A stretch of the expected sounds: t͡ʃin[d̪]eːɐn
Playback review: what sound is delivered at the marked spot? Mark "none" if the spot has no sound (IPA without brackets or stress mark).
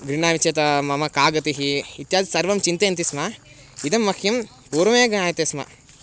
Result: t̪